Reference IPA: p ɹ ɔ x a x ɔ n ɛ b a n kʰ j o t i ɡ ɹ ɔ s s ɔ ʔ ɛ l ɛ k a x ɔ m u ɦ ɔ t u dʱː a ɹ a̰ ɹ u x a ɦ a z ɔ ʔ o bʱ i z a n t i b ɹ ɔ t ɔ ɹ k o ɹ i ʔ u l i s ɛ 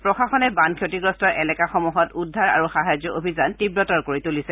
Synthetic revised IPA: p ɹ ɔ x a x ɔ n ɛ b a n kʰ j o t i ɡ ɹ ɔ s t ɔ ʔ ɛ l ɛ k a x ɔ m u ɦ ɔ t u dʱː a ɹ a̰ ɹ u x a ɦ a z ɔ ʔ o bʱ i z a n t i b ɹ ɔ t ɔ ɹ k o ɹ i t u l i s ɛ